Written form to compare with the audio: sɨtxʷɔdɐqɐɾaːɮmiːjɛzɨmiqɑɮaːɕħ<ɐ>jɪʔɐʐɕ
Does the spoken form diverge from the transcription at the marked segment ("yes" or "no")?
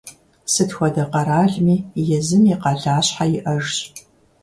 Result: yes